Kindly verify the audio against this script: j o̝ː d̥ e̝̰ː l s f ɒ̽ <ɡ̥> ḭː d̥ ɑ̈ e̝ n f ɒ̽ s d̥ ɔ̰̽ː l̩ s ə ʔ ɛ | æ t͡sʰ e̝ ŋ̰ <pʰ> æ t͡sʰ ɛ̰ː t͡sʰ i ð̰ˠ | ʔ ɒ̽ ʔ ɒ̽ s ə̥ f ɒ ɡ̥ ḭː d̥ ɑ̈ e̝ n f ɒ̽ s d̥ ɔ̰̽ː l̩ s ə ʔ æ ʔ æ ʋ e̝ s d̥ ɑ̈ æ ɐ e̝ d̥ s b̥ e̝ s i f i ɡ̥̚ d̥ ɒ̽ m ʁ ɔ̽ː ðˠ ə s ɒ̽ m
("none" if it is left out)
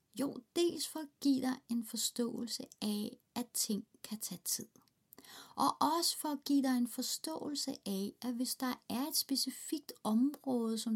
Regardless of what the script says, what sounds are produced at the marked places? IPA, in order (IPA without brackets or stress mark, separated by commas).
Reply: ɡ̥, kʰ